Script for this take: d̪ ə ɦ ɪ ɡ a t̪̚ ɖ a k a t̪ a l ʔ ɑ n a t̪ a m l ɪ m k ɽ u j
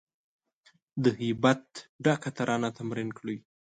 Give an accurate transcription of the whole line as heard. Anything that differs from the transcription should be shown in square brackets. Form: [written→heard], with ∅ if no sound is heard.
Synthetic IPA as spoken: d̪ ə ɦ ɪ [ɡ→b] a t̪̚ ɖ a k a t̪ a [l→ɾ] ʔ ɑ n a t̪ a m [l→ɾ] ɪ [m→n] k ɽ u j